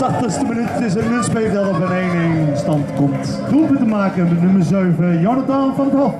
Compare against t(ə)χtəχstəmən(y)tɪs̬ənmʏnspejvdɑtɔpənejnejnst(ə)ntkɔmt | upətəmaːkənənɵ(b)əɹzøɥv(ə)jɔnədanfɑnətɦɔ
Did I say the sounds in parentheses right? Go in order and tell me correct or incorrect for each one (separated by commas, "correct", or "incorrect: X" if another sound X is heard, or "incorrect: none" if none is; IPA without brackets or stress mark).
incorrect: ɑ, correct, incorrect: ɑ, incorrect: m, correct